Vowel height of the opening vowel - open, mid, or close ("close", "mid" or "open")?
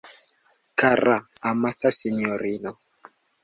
open